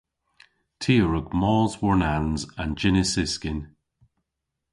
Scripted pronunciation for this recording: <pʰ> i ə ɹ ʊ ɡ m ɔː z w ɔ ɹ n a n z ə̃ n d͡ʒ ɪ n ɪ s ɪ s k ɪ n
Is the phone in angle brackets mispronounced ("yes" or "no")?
yes